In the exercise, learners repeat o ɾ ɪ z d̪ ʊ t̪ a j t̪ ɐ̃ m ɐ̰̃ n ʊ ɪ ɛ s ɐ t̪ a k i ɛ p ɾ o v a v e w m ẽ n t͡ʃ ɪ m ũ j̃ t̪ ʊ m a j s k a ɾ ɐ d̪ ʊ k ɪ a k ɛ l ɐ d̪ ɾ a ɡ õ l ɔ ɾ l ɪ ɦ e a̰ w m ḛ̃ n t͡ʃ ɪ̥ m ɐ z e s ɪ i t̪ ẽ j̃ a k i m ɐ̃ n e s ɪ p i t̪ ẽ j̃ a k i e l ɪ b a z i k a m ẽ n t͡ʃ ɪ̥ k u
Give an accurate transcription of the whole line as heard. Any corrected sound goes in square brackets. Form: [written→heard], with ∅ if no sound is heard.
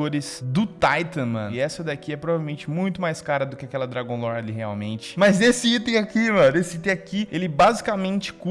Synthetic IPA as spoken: o ɾ ɪ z d̪ ʊ t̪ a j t̪ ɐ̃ m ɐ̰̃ n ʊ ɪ ɛ s ɐ [t̪→d̪] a k i ɛ p ɾ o v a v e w m ẽ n t͡ʃ ɪ m ũ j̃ t̪ ʊ m a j s k a ɾ ɐ d̪ ʊ k ɪ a k ɛ l ɐ d̪ ɾ a ɡ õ l ɔ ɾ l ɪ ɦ e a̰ w m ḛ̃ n t͡ʃ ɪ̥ m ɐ z e s ɪ i t̪ ẽ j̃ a k i m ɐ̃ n e s ɪ [p→∅] i t̪ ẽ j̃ a k i e l ɪ b a z i k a m ẽ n t͡ʃ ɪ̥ k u